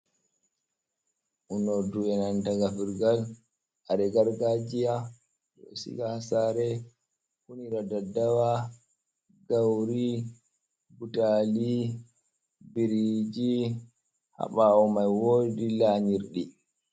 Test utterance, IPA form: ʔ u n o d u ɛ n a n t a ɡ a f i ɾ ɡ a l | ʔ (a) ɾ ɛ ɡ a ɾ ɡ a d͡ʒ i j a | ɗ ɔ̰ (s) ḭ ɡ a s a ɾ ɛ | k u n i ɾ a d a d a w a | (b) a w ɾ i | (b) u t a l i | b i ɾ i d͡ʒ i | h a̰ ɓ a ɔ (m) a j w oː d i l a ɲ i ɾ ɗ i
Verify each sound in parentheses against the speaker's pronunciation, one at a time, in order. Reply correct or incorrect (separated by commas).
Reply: correct, correct, incorrect, correct, correct